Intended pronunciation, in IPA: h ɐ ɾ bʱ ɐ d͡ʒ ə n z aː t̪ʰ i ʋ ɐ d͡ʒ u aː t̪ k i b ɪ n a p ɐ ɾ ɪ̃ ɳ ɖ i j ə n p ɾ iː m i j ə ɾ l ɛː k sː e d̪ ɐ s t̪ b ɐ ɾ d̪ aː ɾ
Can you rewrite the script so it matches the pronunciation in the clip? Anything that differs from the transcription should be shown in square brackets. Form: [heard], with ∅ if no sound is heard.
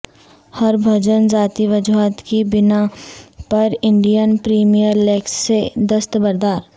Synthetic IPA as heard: h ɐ ɾ bʱ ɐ d͡ʒ ə n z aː [t̪] i ʋ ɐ d͡ʒ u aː t̪ k i b ɪ n a p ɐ ɾ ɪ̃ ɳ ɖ i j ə n p ɾ iː m i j ə ɾ l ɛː k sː e d̪ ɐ s t̪ b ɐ ɾ d̪ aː ɾ